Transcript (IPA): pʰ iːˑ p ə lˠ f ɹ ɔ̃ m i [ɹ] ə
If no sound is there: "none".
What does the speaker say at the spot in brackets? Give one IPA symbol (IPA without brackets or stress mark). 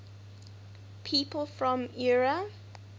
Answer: ɹ